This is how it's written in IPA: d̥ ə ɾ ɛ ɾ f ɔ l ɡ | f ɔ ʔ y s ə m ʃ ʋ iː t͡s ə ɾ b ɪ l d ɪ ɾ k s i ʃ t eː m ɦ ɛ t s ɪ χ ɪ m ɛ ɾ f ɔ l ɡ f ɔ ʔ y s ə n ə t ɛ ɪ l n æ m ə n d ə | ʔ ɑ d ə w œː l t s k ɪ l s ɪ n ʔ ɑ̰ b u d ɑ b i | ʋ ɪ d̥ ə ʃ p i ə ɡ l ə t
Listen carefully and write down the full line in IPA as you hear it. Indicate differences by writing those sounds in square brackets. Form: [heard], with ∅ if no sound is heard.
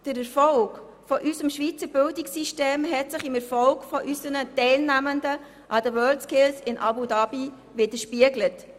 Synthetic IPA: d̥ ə ɾ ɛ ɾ f ɔ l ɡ | f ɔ ʔ y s ə m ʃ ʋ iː t͡s ə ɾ b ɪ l d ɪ [∅] k s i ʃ t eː m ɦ ɛ t s ɪ χ ɪ m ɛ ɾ f ɔ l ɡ f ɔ ʔ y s ə n ə t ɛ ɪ l n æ m ə n d ə | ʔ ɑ d ə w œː l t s k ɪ l s ɪ n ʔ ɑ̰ b u d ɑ b i | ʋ ɪ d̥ ə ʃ p i ə ɡ l ə t

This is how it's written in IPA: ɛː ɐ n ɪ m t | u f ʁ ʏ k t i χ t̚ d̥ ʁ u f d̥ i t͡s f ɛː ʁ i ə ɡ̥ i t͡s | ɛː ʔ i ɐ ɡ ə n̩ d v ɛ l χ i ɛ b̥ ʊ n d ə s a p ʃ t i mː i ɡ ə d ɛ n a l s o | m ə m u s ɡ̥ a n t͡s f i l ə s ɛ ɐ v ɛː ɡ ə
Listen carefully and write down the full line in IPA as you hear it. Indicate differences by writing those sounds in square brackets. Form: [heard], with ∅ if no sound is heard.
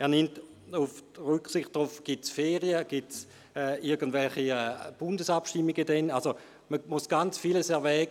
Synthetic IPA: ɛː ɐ n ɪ m t | u f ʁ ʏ k [s] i χ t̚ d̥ ʁ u f [ɡ̥] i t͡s f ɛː ʁ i ə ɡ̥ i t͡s | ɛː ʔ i ɐ ɡ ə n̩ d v ɛ l χ i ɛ b̥ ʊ n d ə s a p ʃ t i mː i ɡ ə d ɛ n a l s o | m ə m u s ɡ̥ a n t͡s f i l ə s ɛ ɐ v ɛː ɡ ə

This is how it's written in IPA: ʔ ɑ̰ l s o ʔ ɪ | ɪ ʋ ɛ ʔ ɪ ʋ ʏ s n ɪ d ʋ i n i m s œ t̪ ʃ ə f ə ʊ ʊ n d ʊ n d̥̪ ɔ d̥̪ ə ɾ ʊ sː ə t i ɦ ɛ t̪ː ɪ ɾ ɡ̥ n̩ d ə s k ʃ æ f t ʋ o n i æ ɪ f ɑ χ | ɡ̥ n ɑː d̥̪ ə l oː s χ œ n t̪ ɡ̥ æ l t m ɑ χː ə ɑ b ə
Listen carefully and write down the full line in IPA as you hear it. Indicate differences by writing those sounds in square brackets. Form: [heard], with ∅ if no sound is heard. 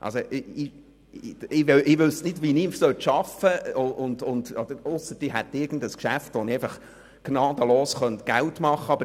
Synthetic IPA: ʔ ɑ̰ l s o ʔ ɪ | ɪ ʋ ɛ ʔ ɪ ʋ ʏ s n ɪ d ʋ i n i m s œ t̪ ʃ [ɑ] f ə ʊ ʊ n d ʊ n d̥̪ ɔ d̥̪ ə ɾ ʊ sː ə t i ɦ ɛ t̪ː ɪ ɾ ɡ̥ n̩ d ə s k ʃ æ f t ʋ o n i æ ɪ f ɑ χ | ɡ̥ n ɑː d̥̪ ə l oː s χ œ n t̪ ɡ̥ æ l t m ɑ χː ə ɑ b ə

